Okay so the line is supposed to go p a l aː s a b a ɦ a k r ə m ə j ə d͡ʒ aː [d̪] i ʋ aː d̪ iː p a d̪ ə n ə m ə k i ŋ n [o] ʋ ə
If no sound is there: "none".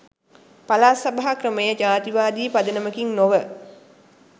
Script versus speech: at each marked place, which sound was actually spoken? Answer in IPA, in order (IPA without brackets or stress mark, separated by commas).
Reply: t̪, o